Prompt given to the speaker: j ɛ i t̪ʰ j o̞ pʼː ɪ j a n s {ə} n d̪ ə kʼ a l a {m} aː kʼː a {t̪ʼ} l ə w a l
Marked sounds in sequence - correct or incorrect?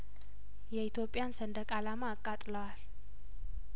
correct, correct, correct

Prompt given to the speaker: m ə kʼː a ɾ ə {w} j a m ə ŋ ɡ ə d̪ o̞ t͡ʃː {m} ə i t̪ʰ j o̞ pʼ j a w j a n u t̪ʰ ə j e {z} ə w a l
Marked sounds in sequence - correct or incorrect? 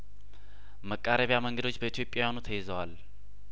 incorrect, incorrect, correct

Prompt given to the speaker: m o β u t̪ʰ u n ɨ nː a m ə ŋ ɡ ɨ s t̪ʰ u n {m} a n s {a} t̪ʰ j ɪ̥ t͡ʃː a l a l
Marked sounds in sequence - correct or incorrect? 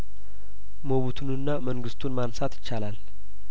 correct, correct

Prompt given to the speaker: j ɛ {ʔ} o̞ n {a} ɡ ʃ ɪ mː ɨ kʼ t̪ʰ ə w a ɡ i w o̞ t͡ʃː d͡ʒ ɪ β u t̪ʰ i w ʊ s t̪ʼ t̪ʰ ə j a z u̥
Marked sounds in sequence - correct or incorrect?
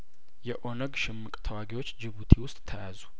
correct, incorrect

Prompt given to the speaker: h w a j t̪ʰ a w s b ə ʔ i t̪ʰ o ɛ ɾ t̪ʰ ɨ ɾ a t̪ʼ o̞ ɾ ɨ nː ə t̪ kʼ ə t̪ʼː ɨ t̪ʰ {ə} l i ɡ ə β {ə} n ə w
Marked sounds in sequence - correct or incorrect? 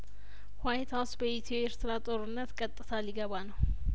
incorrect, incorrect

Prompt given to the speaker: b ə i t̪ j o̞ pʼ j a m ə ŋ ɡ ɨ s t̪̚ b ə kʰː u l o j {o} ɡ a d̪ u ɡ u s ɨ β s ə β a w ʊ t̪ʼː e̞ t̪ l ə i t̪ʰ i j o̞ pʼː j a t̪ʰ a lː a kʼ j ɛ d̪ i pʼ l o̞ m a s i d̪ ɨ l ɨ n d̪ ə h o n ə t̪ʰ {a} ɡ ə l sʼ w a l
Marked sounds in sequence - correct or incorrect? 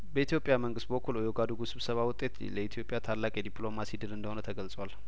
correct, incorrect

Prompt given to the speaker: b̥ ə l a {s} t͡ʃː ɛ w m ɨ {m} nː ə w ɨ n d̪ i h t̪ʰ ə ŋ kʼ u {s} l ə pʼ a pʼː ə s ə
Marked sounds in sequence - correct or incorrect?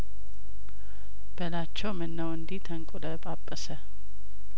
incorrect, incorrect, incorrect

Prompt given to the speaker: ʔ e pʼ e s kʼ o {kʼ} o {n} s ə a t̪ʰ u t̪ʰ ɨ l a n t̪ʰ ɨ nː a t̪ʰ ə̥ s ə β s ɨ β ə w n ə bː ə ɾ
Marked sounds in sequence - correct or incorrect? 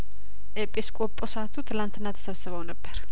incorrect, incorrect

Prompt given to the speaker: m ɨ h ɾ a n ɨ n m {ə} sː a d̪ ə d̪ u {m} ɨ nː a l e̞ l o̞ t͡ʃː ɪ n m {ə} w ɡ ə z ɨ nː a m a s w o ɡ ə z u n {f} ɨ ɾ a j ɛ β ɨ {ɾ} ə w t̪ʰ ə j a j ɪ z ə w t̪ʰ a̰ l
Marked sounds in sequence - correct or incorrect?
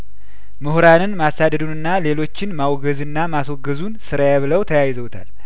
incorrect, incorrect, incorrect, incorrect, incorrect

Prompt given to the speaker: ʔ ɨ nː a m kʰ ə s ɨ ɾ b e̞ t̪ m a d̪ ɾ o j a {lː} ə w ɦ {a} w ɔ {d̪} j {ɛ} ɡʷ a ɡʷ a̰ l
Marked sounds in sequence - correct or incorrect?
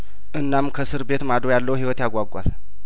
correct, incorrect, incorrect, incorrect

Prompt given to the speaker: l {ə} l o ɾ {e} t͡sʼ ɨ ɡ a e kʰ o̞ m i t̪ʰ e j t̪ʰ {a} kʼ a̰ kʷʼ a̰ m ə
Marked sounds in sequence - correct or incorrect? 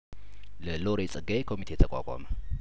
correct, correct, incorrect

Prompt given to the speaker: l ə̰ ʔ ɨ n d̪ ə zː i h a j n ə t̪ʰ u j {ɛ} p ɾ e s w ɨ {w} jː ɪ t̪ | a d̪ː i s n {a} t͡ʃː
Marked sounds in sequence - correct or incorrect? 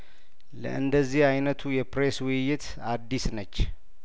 correct, incorrect, incorrect

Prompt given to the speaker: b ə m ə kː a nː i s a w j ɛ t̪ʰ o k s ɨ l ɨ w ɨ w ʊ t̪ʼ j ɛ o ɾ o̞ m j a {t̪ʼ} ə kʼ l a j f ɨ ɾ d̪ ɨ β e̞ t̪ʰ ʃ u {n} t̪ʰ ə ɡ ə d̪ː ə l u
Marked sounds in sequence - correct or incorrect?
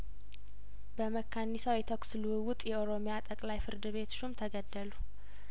correct, incorrect

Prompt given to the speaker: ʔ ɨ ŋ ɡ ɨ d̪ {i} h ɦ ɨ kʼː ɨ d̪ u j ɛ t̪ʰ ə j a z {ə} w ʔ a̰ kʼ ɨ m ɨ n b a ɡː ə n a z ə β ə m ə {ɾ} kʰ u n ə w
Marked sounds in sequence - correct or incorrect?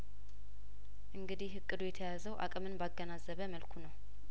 correct, correct, incorrect

